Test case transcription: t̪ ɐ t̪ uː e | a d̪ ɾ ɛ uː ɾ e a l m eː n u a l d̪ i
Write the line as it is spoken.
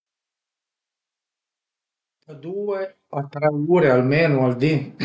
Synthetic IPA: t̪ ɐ d̪ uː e | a t̪ ɾ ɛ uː ɾ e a l m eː n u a l d̪ i